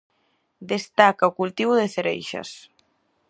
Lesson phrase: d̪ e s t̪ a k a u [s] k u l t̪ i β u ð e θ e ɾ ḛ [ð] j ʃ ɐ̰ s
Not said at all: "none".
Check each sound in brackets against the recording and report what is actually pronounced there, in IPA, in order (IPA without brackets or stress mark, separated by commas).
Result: none, none